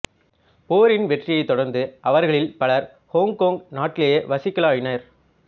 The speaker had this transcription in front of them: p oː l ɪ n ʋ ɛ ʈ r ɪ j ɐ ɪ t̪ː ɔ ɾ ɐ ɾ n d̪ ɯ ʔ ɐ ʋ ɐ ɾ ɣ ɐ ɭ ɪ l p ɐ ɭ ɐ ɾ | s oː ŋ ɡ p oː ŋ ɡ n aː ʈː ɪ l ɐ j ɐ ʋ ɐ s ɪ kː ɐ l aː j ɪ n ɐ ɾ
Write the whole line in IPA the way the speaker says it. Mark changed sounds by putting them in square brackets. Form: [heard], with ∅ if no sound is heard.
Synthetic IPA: p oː [ɾ] ɪ n ʋ ɛ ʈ r ɪ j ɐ ɪ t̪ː ɔ [ɽ] ɐ ɾ n d̪ ɯ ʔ ɐ ʋ ɐ ɾ ɣ ɐ ɭ ɪ l p ɐ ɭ ɐ ɾ | [h] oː ŋ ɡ [k] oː ŋ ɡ n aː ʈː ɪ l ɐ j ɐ ʋ ɐ s ɪ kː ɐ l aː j ɪ n ɐ ɾ